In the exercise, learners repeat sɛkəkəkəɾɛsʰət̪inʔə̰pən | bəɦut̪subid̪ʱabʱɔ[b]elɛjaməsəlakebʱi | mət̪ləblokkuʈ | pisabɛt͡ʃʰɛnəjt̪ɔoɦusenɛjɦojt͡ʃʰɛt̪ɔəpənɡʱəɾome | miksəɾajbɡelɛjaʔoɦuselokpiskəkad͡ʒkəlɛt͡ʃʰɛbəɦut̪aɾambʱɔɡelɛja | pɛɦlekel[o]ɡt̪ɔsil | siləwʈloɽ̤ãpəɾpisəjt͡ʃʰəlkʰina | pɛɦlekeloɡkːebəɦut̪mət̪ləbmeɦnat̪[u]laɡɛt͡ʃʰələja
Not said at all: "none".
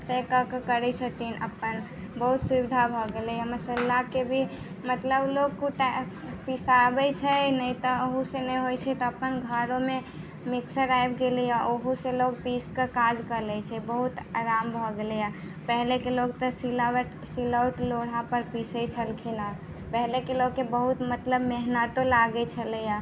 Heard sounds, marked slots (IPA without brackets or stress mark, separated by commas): ɡ, o, o